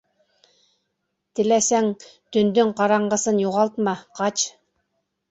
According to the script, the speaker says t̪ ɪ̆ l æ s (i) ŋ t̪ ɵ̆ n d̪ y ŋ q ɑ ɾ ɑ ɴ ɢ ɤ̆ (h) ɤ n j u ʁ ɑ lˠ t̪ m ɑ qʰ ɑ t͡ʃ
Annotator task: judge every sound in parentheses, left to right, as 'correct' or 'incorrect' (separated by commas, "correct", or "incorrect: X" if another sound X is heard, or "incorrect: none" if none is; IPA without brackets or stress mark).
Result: incorrect: æ, incorrect: s